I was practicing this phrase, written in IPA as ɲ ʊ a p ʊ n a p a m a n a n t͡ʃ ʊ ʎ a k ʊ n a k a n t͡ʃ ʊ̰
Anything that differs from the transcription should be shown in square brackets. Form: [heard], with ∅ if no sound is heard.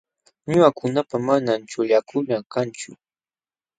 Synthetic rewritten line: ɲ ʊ a [k] ʊ n a p a m a n a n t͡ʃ ʊ ʎ a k ʊ n a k a n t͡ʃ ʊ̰